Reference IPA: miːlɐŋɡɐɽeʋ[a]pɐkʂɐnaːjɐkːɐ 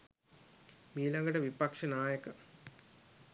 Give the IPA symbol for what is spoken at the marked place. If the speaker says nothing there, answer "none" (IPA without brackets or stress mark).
i